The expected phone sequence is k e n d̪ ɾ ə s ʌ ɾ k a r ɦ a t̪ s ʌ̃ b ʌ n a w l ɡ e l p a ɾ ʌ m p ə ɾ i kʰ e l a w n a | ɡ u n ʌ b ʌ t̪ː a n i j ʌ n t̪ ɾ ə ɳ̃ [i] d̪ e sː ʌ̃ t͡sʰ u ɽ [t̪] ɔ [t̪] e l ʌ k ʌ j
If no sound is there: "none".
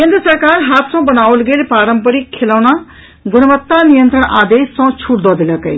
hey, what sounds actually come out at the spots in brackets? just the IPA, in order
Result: a, d̪, d̪

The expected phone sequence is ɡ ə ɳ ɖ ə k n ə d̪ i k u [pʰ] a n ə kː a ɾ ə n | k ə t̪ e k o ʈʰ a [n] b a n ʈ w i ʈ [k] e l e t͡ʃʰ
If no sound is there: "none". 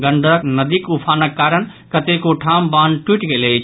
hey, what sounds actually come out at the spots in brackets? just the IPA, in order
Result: pʰ, m, ɡ

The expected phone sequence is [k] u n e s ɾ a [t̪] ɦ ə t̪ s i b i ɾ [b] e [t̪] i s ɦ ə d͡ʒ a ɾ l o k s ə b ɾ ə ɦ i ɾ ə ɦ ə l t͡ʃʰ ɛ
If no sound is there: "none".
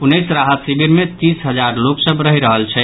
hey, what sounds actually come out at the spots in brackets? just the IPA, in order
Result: p, none, m, t̪

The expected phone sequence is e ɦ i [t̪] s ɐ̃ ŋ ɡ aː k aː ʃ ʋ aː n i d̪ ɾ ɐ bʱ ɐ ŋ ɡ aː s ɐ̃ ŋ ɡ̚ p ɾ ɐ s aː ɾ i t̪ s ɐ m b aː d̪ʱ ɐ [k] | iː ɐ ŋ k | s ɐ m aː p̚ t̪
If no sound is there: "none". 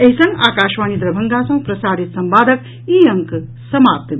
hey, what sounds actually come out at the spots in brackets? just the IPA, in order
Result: none, k

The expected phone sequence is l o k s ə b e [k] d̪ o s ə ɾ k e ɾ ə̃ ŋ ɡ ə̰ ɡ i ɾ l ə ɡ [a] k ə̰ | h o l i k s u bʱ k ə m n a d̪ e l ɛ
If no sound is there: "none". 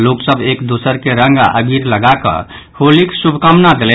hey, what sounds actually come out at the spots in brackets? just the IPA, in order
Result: k, a

